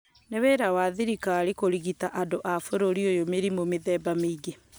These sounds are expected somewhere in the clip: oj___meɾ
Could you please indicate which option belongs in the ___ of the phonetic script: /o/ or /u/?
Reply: o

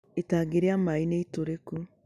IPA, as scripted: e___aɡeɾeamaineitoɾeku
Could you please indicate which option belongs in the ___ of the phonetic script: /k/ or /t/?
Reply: t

